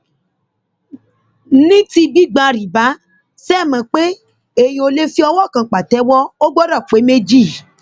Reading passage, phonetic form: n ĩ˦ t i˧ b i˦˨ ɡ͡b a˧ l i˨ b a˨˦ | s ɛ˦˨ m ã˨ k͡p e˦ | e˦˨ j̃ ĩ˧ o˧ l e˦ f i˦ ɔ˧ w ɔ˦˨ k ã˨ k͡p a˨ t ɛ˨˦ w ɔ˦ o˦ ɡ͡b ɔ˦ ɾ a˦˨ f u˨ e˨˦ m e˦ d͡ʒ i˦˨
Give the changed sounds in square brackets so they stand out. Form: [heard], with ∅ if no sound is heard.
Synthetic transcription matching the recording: n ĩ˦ t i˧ b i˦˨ ɡ͡b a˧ [ɾ] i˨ b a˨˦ | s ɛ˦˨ m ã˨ k͡p e˦ | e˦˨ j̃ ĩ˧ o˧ l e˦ f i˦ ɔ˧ w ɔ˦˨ k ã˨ k͡p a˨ t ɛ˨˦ w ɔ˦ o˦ ɡ͡b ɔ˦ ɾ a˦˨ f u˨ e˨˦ m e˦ d͡ʒ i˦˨